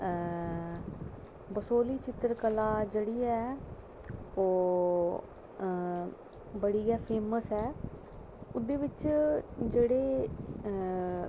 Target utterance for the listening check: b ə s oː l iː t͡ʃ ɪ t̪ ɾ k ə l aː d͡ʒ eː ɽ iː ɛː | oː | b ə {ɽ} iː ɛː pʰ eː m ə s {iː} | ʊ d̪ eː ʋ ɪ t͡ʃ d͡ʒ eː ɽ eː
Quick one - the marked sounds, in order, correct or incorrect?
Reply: correct, incorrect

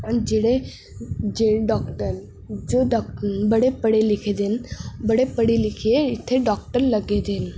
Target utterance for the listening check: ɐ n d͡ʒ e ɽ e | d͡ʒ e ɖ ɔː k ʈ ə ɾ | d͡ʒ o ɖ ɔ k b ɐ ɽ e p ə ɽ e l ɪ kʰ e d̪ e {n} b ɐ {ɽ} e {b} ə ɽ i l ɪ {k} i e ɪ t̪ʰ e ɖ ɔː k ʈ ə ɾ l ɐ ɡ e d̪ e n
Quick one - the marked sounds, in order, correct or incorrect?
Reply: correct, correct, incorrect, incorrect

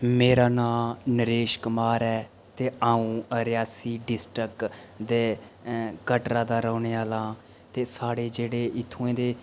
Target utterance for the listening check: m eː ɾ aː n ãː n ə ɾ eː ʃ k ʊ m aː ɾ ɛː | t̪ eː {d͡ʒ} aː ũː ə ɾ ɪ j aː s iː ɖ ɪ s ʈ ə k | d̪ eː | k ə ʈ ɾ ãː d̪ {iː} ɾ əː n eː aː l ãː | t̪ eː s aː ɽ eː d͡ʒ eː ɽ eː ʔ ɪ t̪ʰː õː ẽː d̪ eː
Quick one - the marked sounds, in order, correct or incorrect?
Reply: incorrect, incorrect

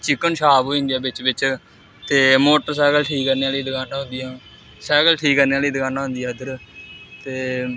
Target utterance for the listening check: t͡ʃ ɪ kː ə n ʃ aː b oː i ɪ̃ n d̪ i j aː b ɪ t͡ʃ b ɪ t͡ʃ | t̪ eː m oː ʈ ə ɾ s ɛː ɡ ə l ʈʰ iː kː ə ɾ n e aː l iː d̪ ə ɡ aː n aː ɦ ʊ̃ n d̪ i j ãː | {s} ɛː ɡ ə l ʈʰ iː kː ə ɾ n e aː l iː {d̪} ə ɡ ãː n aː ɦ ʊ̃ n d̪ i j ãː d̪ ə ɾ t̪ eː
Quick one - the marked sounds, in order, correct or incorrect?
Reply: correct, correct

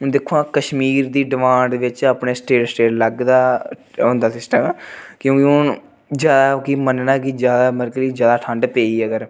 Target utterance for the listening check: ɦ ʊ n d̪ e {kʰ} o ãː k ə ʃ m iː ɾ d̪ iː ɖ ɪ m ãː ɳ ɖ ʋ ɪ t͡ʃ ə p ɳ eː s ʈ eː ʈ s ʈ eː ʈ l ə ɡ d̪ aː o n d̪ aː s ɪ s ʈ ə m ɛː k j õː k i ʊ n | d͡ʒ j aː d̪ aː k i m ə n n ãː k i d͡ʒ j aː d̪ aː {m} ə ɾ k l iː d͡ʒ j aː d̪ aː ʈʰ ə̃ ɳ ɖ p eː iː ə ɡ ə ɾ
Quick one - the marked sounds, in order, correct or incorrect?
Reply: correct, correct

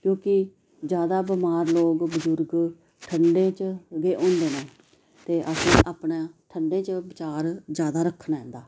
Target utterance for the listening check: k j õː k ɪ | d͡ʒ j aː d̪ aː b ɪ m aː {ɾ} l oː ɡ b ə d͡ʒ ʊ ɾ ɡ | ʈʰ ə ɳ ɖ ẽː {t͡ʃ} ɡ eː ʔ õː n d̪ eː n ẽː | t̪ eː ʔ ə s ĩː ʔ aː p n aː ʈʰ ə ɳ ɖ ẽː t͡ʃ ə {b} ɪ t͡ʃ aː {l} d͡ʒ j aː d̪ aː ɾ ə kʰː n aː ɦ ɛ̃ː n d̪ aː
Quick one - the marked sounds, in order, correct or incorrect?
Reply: correct, correct, correct, incorrect

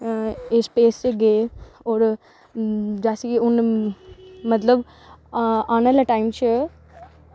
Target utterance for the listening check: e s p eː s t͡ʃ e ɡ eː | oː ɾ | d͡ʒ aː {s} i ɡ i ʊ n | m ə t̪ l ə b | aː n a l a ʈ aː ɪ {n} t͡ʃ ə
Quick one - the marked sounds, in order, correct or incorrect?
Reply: correct, incorrect

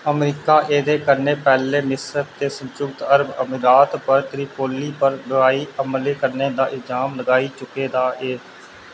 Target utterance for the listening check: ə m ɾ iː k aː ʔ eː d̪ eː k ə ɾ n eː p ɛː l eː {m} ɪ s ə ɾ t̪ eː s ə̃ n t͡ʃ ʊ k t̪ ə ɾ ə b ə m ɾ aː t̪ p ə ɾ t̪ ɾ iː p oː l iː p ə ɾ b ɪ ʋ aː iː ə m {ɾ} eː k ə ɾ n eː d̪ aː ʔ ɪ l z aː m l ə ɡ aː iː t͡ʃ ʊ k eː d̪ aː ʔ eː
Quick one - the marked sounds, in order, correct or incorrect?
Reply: correct, incorrect

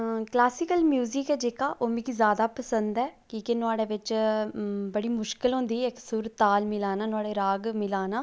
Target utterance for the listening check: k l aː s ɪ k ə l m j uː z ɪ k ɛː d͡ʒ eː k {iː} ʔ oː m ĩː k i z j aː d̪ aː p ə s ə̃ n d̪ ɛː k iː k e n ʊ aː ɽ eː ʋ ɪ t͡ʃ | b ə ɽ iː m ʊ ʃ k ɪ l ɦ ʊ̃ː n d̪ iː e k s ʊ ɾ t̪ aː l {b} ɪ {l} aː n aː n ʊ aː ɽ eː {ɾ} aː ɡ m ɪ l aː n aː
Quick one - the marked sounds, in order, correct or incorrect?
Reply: incorrect, incorrect, correct, correct

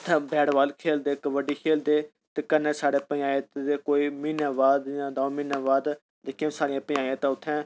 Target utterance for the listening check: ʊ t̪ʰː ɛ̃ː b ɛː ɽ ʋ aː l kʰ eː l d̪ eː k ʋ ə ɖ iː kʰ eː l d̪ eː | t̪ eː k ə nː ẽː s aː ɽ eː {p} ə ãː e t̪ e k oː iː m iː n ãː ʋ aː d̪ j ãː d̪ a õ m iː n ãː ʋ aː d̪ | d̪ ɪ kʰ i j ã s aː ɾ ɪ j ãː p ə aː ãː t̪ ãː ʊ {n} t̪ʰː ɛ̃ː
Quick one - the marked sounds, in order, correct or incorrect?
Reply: correct, incorrect

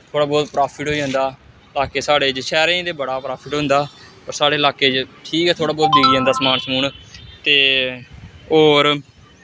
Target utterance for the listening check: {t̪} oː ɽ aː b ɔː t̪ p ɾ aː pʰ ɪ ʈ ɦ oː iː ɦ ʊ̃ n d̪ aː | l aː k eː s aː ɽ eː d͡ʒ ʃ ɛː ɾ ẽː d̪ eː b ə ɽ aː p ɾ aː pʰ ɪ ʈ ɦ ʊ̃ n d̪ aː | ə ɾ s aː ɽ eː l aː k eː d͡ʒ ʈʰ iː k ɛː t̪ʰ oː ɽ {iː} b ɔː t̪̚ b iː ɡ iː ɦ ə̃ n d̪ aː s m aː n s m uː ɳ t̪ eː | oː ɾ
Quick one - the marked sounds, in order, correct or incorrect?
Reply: incorrect, incorrect

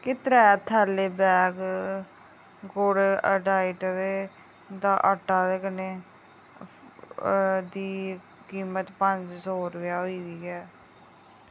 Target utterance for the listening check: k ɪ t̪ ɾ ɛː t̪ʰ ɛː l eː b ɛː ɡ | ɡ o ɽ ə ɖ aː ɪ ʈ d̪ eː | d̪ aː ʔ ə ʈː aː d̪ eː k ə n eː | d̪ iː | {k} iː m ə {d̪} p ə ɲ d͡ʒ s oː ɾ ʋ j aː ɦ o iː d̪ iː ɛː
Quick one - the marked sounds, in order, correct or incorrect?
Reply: correct, incorrect

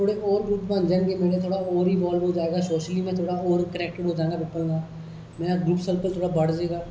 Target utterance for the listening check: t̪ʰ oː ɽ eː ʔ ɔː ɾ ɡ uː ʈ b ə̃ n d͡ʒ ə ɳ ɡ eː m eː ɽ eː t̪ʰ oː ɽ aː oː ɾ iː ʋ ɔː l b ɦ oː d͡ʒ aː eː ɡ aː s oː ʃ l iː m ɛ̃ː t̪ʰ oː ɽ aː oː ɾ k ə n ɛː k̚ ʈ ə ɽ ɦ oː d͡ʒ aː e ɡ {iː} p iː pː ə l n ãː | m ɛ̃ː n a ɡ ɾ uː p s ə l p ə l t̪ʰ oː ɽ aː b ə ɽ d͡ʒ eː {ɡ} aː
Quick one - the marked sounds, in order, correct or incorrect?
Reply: incorrect, correct

